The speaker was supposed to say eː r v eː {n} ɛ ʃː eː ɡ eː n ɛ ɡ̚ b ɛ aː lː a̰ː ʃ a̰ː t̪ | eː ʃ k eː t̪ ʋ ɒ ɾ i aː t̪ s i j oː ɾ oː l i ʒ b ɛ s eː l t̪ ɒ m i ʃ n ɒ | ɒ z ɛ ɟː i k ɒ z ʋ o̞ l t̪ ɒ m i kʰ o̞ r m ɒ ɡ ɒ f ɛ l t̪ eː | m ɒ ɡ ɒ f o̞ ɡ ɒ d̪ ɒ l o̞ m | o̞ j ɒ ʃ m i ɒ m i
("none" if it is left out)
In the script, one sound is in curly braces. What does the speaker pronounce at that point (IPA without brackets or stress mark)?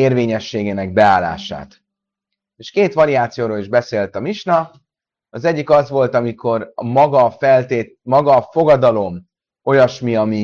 ɲ